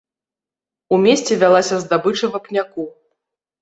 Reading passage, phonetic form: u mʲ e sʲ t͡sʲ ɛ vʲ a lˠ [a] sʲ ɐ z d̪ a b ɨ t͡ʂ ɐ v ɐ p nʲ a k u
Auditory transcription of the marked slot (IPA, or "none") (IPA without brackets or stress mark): a